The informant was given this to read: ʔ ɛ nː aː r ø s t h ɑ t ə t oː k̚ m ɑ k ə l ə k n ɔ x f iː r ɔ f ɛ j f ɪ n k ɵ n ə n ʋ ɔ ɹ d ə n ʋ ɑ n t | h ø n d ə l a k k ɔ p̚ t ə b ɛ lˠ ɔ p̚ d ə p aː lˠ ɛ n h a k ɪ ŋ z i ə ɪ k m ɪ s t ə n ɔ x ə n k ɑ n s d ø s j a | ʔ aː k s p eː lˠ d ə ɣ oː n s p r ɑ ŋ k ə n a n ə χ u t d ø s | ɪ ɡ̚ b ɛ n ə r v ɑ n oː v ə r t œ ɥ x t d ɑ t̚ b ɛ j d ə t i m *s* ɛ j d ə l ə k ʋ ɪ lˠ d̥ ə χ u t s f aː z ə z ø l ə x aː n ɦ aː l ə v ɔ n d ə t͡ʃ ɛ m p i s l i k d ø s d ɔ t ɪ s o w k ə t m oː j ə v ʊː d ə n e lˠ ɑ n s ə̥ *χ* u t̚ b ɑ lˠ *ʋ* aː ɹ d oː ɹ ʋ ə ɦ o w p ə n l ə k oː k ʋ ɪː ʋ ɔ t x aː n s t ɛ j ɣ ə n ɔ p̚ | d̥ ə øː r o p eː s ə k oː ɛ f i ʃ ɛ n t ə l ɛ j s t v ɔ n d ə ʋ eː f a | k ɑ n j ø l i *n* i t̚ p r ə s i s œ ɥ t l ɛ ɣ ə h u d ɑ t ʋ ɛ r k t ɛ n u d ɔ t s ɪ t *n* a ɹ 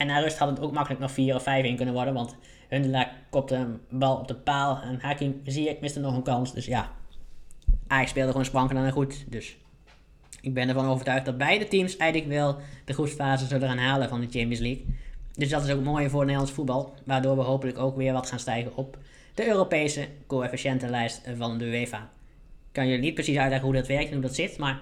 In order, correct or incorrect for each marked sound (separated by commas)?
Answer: correct, incorrect, correct, correct, incorrect